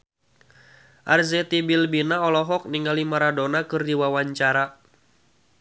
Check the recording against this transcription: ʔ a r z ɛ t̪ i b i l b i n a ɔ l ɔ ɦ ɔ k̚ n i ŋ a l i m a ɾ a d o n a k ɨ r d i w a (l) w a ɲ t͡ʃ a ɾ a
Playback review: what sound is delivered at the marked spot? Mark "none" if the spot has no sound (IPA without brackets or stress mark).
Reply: none